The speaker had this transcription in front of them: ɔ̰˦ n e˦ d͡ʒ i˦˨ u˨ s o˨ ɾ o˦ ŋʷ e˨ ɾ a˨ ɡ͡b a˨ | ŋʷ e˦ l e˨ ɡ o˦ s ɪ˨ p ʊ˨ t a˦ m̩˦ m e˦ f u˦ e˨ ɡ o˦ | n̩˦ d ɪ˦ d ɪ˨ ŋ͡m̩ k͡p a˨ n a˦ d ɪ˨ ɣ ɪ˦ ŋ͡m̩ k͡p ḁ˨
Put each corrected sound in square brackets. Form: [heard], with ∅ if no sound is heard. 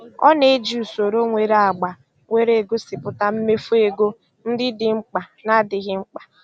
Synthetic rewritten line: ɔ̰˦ n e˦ d͡ʒ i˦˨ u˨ s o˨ ɾ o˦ ŋʷ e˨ ɾ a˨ ɡ͡b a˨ | ŋʷ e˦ [ɾ] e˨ ɡ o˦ s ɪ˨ p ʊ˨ t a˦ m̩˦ m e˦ f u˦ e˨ ɡ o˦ | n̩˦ d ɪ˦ d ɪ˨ ŋ͡m̩ k͡p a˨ n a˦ d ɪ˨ ɣ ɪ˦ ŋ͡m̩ k͡p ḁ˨